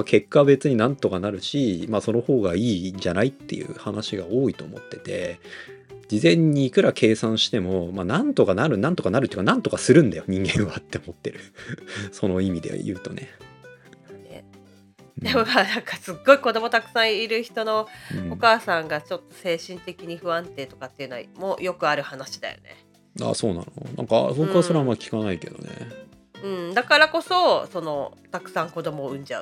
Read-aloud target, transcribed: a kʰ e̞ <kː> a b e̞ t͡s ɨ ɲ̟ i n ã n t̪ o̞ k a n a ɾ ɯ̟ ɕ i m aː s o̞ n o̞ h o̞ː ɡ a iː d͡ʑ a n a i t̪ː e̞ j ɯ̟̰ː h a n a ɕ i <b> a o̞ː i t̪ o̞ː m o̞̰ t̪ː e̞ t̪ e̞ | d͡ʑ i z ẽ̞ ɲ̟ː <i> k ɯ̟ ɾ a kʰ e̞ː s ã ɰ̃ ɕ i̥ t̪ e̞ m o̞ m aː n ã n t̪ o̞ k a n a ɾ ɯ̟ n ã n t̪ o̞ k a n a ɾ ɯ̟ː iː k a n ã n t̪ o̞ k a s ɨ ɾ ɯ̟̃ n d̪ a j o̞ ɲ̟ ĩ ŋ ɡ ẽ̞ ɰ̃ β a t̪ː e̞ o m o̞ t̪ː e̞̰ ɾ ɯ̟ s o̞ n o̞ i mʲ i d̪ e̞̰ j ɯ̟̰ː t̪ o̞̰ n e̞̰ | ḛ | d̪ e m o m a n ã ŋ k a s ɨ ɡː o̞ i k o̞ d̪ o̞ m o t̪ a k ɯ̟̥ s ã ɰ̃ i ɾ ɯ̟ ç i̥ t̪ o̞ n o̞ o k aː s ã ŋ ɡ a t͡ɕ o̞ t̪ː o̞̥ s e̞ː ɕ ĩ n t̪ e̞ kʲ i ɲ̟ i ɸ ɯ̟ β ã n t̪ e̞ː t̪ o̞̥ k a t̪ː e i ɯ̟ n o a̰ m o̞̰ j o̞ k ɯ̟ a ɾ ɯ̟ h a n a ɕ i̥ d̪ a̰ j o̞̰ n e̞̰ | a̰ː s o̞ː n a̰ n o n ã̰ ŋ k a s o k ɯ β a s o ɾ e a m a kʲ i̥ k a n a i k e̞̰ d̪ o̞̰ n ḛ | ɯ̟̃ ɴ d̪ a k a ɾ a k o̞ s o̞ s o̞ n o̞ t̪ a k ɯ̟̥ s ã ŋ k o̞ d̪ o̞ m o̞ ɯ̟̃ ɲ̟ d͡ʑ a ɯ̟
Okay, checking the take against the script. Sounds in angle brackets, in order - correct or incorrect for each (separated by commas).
correct, incorrect, incorrect